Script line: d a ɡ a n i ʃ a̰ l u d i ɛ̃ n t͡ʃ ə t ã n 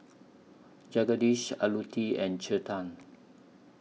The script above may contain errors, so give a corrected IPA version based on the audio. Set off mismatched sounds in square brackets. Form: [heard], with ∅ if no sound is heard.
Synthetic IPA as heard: [d͡ʒ] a ɡ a [d] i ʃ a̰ l u [t] i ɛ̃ n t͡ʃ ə t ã n